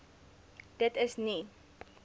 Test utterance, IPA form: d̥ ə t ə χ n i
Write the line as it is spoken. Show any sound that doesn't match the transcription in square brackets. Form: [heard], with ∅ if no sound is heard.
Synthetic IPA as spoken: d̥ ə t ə [s] n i